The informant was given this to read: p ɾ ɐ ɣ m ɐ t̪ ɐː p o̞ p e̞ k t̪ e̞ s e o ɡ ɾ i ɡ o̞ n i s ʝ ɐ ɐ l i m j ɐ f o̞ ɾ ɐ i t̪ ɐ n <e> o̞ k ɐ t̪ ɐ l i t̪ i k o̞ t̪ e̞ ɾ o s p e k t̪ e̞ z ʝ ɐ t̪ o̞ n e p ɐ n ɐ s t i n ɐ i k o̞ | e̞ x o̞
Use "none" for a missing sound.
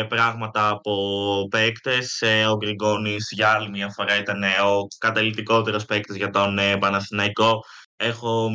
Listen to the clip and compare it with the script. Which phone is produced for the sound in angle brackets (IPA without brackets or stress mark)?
e